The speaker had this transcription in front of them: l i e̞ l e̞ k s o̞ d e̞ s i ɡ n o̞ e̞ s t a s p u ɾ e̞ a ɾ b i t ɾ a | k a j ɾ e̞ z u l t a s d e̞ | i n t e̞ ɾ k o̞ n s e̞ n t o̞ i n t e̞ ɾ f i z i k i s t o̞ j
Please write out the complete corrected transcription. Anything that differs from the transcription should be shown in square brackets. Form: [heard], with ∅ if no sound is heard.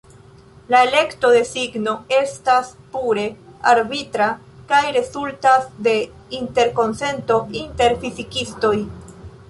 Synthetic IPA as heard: l [a] e̞ l e̞ k [t] o̞ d e̞ s i ɡ n o̞ e̞ s t a s p u ɾ e̞ a ɾ b i t ɾ a | k a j ɾ e̞ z u l t a s d e̞ | i n t e̞ ɾ k o̞ n s e̞ n t o̞ i n t e̞ ɾ f i z i k i s t o̞ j

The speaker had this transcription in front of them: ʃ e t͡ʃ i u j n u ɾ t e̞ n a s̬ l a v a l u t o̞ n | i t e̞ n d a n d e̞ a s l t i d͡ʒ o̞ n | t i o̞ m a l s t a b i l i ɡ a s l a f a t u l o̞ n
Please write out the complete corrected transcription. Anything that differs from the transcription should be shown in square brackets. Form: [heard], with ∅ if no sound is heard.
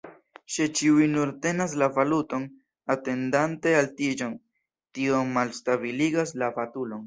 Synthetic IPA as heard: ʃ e t͡ʃ i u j n u ɾ t e̞ n a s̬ l a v a l u t o̞ n | [a] t e̞ n d a n [t] e̞ a [∅] l t i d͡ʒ o̞ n | t i o̞ m a l s t a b i l i ɡ a s l a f a t u l o̞ n

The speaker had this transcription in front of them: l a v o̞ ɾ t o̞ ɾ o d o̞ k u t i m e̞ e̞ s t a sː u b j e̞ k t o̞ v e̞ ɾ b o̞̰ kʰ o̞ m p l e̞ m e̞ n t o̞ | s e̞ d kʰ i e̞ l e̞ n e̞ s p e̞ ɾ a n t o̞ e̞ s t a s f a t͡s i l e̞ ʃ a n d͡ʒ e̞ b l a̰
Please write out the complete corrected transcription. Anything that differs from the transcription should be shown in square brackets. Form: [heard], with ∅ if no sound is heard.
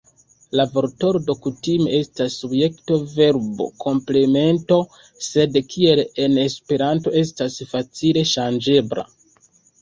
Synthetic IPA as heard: l a v o̞ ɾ t o̞ ɾ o d o̞ k u t i m e̞ e̞ s t a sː u b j e̞ k t o̞ v e̞ ɾ b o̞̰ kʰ o̞ m p l e̞ m e̞ n t o̞ | s e̞ d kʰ i e̞ l e̞ n e̞ s p e̞ ɾ a n t o̞ e̞ s t a s f a t͡s i l e̞ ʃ a n d͡ʒ e̞ b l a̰

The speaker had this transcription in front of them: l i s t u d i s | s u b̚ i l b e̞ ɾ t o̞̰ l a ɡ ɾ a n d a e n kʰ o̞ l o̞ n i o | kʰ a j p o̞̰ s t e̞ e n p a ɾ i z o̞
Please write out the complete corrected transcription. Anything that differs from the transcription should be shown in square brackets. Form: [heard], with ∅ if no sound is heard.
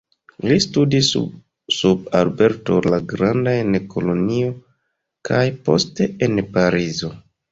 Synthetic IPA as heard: l i s t u d i s | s u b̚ [a] l b e̞ ɾ t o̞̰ l a ɡ ɾ a n d a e n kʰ o̞ l o̞ n i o | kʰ a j p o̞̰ s t e̞ e n p a ɾ i z o̞

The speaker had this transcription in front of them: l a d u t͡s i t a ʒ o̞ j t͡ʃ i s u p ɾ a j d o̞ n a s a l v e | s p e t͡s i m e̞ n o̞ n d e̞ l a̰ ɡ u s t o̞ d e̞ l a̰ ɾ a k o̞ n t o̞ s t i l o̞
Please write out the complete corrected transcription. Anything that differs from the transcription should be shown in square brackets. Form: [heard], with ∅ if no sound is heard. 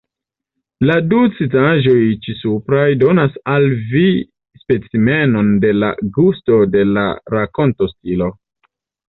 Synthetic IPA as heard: l a d u t͡s i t a ʒ o̞ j t͡ʃ i s u p ɾ a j d o̞ n a s a l v [i] | s p e t͡s i m e̞ n o̞ n d e̞ l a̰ ɡ u s t o̞ d e̞ l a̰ ɾ a k o̞ n t o̞ s t i l o̞

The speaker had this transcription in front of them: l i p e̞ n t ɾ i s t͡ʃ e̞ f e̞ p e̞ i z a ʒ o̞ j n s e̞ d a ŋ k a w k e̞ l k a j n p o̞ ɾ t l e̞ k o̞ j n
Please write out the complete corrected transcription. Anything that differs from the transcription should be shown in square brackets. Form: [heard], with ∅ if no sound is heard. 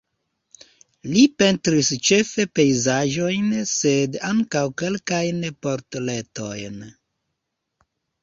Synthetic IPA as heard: l i p e̞ n t ɾ i s t͡ʃ e̞ f e̞ p e̞ [j] z a ʒ o̞ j n s e̞ d a ŋ k a w k e̞ l k a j n p o̞ ɾ t l e̞ [t] o̞ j n

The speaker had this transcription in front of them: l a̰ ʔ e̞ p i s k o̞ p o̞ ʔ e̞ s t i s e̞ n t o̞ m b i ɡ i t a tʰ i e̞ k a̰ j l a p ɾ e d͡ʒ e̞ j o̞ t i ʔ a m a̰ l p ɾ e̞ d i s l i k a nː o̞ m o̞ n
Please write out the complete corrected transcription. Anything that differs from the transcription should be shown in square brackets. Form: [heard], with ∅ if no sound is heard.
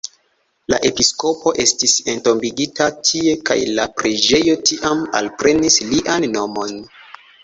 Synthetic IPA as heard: l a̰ ʔ e̞ p i s k o̞ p o̞ ʔ e̞ s t i s e̞ n t o̞ m b i ɡ i t a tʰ i e̞ k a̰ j l a p ɾ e d͡ʒ e̞ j o̞ t i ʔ a m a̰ l p ɾ e̞ [n] i s l i [ʔ] a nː o̞ m o̞ n

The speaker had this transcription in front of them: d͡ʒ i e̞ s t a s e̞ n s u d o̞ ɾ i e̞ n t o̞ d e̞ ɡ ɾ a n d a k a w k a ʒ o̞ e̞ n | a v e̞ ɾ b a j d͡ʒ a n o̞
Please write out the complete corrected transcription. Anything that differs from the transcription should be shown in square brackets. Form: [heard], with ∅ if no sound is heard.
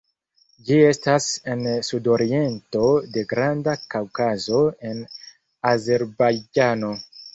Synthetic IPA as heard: d͡ʒ i e̞ s t a s e̞ n s u d o̞ ɾ i e̞ n t o̞ d e̞ ɡ ɾ a n d a k a w k a [z] o̞ e̞ n | a [z] e̞ ɾ b a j d͡ʒ a n o̞

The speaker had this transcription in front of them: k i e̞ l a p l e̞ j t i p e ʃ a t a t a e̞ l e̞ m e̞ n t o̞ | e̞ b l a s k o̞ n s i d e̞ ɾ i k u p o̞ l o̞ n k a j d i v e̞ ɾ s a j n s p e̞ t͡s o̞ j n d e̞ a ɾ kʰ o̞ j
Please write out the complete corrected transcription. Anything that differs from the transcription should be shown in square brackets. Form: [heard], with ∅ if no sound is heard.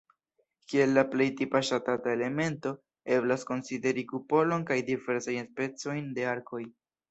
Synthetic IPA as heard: k i e̞ [lː] a p l e̞ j t i p [a] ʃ a t a t a e̞ l e̞ m e̞ n t o̞ | e̞ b l a s k o̞ n s i d e̞ ɾ i k u p o̞ l o̞ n k a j d i v e̞ ɾ s a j n s p e̞ t͡s o̞ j n d e̞ a ɾ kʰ o̞ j

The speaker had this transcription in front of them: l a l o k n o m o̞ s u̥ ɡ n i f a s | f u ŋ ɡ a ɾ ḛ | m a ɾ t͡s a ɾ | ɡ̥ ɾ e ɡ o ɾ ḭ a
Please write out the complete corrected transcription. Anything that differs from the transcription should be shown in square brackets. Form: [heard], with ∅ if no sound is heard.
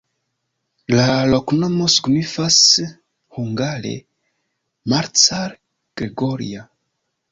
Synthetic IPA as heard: l a l o k n o m o̞ s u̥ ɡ n i f a s | [h] u ŋ ɡ a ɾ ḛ | m a ɾ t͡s a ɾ | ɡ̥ ɾ e ɡ o ɾ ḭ a

